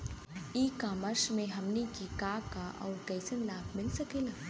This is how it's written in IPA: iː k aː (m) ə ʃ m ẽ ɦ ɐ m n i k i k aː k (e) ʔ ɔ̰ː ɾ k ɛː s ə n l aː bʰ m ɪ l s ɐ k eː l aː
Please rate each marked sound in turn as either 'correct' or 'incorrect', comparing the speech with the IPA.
correct, incorrect

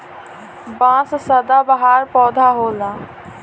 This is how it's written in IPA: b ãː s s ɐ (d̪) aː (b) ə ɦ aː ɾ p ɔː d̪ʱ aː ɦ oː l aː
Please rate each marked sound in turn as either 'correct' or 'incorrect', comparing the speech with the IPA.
correct, correct

